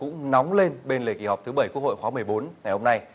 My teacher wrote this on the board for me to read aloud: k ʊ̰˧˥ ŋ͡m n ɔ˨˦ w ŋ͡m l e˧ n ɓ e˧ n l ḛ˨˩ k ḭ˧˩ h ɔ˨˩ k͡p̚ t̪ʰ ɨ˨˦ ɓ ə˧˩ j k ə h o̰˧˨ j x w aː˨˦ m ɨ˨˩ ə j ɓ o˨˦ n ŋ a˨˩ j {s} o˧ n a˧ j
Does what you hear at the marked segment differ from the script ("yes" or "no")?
yes